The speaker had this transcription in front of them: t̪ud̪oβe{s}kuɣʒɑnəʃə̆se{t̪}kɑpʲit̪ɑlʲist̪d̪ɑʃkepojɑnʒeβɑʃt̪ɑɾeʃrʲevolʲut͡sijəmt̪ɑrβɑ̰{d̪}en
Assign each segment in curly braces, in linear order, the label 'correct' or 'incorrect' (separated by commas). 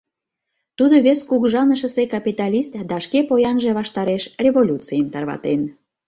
correct, incorrect, incorrect